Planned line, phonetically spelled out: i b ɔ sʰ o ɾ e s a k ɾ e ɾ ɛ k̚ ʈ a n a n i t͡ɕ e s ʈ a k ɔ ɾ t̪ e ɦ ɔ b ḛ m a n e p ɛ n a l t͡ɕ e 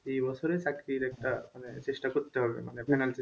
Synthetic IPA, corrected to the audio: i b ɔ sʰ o ɾ e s a k ɾ i ɾ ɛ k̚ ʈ a m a n e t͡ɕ e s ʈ a k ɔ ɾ t̪ e ɦ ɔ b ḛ m a n e p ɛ n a l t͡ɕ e